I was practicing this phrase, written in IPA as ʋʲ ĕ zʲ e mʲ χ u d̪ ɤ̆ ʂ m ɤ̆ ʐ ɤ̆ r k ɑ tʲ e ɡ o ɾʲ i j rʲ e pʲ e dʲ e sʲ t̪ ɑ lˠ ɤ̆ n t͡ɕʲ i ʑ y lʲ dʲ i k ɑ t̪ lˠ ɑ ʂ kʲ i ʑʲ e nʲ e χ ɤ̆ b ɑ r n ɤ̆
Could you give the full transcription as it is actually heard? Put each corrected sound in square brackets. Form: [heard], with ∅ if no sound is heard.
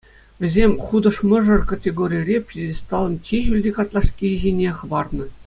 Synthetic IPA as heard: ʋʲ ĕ zʲ e mʲ χ u d̪ ɤ̆ ʂ m ɤ̆ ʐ ɤ̆ r k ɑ tʲ e ɡ o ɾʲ i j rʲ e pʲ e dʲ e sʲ t̪ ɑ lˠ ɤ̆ n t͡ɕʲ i ʑ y lʲ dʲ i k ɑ t̪ lˠ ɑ ʂ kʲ i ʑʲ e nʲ e χ ɤ̆ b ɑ r n ɤ̆

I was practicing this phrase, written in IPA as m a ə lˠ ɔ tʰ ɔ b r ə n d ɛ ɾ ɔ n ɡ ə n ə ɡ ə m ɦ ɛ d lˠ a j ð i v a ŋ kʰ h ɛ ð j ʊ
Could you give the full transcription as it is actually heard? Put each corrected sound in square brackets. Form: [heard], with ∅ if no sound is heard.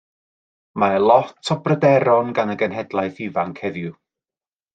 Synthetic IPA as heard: m a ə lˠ ɔ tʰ ɔ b r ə [∅] d ɛ ɾ ɔ n ɡ [a] n ə ɡ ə [n] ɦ ɛ d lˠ a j [θ] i v a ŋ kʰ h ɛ ð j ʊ

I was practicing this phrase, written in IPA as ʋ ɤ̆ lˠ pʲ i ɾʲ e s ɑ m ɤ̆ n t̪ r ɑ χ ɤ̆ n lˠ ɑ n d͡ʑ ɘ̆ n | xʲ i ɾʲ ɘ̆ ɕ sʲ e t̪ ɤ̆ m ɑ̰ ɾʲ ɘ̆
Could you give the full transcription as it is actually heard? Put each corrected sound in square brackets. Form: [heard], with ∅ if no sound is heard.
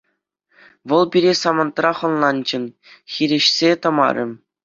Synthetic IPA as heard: ʋ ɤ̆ lˠ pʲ i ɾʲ e s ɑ m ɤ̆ n t̪ r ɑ χ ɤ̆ n lˠ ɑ n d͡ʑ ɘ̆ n | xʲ i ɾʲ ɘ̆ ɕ sʲ e t̪ ɤ̆ m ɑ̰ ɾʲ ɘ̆

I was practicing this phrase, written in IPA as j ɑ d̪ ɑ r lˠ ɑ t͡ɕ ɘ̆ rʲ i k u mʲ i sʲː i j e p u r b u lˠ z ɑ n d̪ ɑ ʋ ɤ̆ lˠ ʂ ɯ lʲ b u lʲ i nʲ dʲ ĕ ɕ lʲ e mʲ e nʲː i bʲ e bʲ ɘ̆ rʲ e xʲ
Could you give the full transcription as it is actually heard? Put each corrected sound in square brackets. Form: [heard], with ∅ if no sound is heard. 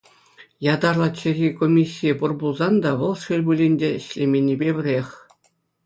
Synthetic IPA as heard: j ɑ d̪ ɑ r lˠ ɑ t͡ɕ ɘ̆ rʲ i k [o] mʲ i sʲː i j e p u r b u lˠ z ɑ n d̪ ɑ ʋ ɤ̆ lˠ ʂ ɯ lʲ b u lʲ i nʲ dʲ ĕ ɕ lʲ e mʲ e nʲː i bʲ e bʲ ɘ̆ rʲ e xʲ

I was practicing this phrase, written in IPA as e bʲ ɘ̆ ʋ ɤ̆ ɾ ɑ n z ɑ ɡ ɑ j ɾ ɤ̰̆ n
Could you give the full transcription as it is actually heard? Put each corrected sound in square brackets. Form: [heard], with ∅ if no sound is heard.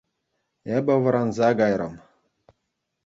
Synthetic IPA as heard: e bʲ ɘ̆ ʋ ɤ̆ ɾ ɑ n z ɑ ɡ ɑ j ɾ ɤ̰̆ [m]

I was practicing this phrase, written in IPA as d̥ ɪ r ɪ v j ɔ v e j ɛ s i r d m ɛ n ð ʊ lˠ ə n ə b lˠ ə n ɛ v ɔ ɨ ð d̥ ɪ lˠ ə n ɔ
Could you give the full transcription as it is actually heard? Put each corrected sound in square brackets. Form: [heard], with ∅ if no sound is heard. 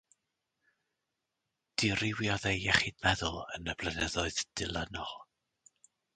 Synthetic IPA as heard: d̥ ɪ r ɪ [w] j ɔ [ð] e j ɛ [χ] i [∅] d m ɛ [∅] ð ʊ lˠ ə n ə b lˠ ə n ɛ [ð] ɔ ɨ ð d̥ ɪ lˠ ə n ɔ

